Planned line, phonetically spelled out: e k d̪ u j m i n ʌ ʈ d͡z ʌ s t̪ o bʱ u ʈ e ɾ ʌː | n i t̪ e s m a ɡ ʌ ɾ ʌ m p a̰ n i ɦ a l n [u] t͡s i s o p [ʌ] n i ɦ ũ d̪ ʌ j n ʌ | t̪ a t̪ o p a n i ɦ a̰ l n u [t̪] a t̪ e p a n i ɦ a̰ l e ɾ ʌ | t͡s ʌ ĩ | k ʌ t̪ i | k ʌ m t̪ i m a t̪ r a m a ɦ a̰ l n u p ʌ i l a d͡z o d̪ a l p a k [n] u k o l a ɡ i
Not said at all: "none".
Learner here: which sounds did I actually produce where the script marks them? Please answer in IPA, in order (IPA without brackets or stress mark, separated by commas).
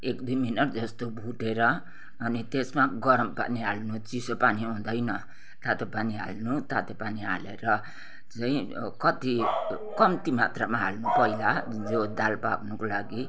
u, a, t̪, n